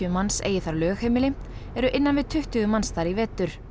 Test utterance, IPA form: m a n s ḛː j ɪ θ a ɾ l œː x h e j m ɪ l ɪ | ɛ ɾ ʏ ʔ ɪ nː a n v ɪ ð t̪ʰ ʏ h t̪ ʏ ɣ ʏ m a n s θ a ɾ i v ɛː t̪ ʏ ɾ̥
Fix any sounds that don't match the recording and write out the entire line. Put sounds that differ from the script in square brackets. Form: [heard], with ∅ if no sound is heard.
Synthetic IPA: m a n s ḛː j ɪ θ a ɾ l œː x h e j m ɪ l ɪ | ɛ ɾ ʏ ʔ ɪ nː a n v ɪ ð t̪ʰ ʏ h t̪ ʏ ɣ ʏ m a n s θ a ɾ i v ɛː t̪ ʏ ɾ̥